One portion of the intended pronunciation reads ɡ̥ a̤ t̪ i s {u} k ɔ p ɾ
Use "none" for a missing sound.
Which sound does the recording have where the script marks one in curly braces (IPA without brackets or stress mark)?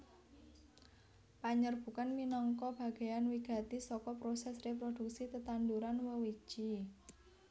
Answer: ɔ